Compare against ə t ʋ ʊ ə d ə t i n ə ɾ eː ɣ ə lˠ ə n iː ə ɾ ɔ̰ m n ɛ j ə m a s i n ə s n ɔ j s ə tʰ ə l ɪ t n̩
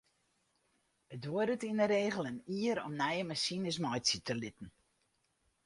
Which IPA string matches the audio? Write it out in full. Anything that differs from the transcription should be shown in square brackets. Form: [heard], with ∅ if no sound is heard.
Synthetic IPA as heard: ə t ʋ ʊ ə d ə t i n ə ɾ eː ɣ ə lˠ ə n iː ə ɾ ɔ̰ m n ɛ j ə m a s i n ə s [m] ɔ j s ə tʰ ə l ɪ t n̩